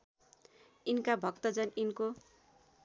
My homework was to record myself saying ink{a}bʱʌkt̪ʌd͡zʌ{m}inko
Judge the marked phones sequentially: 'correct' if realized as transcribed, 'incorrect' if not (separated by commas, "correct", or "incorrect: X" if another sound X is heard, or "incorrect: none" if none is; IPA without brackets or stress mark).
correct, incorrect: n